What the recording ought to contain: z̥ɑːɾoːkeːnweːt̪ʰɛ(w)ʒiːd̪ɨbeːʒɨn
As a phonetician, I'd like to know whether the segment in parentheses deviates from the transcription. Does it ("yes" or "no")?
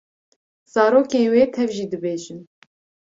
yes